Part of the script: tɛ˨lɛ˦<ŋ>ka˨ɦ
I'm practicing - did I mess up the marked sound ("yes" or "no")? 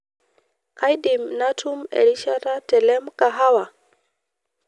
yes